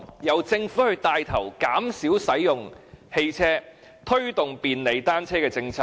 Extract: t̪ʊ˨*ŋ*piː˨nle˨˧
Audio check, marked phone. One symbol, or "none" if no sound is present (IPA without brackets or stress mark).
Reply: ŋ